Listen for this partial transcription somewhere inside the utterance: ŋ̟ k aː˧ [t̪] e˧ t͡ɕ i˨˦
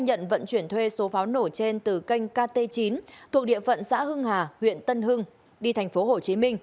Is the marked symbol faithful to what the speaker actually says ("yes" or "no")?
yes